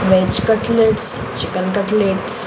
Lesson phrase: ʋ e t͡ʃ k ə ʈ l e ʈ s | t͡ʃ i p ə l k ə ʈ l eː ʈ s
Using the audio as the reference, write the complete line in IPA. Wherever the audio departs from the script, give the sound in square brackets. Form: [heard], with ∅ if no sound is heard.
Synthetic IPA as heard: ʋ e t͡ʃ k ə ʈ l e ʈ s | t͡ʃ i [k] ə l k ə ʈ l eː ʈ s